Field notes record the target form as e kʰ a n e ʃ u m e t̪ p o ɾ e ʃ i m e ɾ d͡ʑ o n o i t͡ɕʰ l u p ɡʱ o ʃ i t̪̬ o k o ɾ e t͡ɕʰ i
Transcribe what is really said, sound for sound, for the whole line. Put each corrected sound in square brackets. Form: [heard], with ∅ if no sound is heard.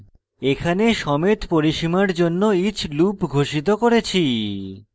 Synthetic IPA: e kʰ a n e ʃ [ɔ] m e t̪ p o ɾ [i] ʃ i m [a] ɾ d͡ʑ o [nː] o i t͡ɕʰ l u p ɡʱ o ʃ i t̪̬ o k o ɾ e t͡ɕʰ i